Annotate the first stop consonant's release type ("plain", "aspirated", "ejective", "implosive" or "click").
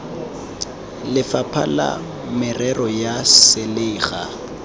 aspirated